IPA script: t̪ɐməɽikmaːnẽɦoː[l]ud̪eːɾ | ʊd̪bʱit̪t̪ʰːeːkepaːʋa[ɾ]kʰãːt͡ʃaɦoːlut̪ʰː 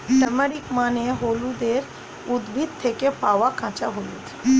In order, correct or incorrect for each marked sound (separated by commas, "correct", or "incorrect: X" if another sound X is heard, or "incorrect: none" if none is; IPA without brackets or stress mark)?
correct, incorrect: none